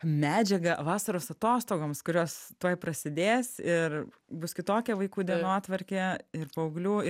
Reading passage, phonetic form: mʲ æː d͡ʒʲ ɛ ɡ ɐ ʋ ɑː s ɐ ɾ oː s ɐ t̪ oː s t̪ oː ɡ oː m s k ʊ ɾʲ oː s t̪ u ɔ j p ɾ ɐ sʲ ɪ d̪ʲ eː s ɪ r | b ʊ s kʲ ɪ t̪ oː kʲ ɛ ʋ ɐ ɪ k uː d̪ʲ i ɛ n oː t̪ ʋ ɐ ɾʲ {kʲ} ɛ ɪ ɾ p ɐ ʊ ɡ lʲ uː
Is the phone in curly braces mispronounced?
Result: no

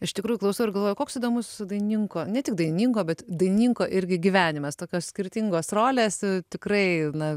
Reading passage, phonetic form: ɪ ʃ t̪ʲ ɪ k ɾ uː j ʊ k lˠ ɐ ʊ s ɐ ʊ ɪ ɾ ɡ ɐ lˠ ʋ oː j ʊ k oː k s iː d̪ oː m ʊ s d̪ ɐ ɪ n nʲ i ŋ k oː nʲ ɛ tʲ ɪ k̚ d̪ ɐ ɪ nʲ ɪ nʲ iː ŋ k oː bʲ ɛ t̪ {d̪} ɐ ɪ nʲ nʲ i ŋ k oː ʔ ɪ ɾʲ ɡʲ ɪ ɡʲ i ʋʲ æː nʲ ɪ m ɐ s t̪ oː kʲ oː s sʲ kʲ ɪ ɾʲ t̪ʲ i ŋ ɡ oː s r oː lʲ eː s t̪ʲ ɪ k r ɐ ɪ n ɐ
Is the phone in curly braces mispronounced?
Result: no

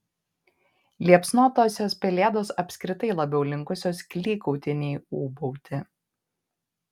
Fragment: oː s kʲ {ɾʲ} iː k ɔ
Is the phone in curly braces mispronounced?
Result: yes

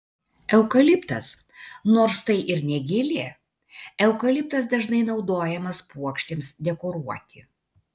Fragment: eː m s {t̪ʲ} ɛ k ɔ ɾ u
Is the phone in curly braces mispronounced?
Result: yes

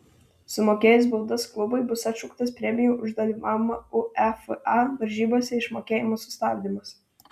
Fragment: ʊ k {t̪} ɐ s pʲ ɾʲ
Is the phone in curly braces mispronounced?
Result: no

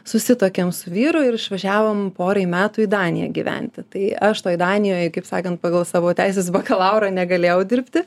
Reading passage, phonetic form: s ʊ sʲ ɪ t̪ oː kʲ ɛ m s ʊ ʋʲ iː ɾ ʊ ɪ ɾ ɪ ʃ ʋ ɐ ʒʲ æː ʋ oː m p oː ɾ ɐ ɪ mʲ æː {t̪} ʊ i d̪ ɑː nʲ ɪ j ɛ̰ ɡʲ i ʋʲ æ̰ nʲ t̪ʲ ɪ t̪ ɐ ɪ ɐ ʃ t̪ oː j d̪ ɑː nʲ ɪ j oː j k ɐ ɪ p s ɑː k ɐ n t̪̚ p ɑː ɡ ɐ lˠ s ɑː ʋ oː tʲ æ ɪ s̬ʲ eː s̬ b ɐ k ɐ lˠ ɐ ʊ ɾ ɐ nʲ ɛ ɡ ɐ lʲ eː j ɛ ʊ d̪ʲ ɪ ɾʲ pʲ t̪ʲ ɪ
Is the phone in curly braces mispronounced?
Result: no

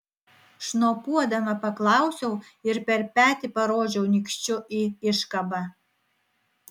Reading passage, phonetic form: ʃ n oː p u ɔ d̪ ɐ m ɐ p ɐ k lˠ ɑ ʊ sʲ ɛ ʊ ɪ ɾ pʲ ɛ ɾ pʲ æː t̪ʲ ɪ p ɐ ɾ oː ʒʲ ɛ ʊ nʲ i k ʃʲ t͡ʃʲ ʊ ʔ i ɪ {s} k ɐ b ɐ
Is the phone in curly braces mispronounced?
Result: yes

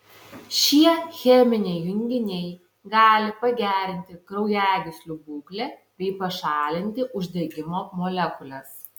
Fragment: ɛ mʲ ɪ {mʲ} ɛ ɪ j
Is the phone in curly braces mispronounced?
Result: yes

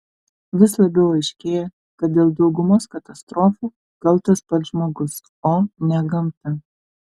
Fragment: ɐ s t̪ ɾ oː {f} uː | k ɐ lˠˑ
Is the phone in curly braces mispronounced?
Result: no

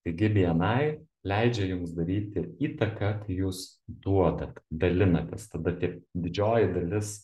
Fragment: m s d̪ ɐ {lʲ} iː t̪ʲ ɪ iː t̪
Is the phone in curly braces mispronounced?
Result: yes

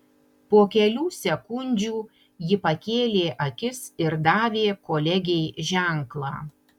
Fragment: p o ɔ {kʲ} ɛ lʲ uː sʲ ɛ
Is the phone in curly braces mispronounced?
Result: no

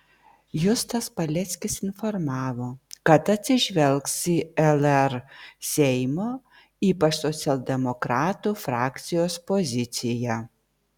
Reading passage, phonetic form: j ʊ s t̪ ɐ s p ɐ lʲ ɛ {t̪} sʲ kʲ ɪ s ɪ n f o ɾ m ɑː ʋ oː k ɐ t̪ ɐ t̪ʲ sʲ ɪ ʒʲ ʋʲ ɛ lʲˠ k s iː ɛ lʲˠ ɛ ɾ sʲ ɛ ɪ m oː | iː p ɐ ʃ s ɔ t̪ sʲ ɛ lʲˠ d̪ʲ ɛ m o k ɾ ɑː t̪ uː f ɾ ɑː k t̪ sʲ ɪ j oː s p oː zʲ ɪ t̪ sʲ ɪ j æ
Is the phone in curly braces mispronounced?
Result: no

